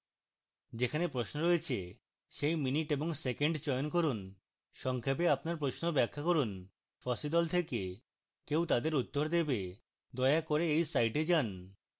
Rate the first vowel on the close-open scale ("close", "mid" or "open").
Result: mid